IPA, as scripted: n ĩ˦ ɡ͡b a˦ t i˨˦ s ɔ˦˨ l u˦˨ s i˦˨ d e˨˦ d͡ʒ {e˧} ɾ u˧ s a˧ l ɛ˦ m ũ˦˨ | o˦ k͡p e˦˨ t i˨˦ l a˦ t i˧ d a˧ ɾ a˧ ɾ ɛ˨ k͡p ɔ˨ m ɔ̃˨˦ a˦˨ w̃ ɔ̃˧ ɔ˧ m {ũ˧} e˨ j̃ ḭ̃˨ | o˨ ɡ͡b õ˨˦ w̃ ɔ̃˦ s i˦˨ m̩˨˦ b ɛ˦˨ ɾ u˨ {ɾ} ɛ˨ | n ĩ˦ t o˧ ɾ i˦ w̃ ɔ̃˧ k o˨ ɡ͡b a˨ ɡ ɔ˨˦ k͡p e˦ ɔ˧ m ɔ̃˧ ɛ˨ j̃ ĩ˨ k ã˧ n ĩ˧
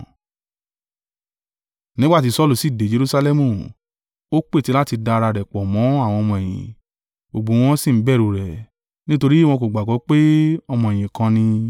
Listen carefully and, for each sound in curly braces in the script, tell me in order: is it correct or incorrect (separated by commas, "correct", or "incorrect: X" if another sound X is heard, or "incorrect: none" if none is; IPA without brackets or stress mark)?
correct, incorrect: ɔ̃˧, correct